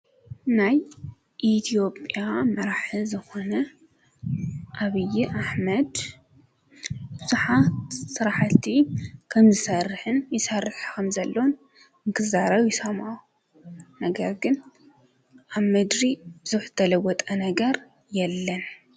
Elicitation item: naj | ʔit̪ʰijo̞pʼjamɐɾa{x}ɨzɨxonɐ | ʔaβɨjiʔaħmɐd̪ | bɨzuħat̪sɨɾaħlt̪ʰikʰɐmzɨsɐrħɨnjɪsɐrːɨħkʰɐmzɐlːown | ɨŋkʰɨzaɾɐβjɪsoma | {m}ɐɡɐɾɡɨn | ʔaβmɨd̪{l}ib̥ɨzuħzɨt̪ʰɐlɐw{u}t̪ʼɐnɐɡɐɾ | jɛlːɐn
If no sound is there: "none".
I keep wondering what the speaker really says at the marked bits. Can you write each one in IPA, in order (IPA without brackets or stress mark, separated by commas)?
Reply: ħ, n, ɾ, ɔ